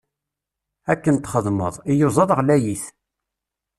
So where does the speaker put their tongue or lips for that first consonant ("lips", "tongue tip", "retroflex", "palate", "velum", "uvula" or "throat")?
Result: velum